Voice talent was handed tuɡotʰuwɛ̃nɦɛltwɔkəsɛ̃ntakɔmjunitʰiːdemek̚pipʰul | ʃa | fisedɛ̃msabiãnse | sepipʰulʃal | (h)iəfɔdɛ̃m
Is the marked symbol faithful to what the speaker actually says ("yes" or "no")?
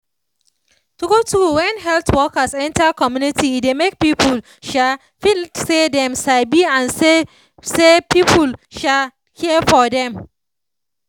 yes